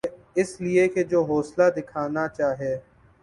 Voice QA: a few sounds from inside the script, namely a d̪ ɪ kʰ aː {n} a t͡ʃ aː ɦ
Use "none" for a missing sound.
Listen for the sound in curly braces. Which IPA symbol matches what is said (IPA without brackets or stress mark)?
n